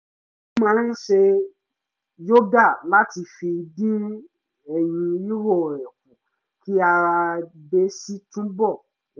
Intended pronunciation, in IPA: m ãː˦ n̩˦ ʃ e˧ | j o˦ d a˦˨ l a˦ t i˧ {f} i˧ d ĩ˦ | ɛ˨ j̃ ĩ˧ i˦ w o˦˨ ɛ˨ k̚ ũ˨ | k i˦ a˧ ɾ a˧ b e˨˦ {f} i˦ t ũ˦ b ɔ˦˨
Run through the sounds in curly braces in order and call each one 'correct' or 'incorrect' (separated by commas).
correct, incorrect